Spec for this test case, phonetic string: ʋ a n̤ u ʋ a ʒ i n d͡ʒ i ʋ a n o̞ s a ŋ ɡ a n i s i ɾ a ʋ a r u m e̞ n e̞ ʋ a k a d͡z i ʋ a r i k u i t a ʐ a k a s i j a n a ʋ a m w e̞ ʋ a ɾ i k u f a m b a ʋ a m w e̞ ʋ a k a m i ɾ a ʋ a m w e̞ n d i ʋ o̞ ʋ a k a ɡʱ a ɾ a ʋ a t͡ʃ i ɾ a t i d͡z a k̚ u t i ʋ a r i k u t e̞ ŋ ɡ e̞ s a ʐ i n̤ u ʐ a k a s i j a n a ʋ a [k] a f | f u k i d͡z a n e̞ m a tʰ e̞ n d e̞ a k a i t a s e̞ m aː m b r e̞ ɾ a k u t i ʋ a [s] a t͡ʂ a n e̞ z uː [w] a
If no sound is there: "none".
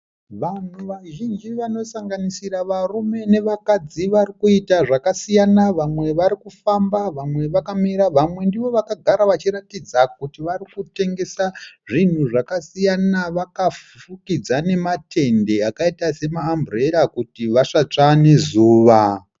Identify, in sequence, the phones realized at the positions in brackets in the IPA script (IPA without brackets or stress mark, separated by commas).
k, ʂ, ʋ